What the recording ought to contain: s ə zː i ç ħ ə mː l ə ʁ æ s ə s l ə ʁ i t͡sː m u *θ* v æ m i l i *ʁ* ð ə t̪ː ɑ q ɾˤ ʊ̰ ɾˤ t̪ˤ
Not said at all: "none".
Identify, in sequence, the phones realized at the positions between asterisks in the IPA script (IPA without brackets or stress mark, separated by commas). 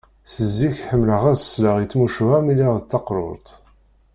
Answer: ʃ, ʁ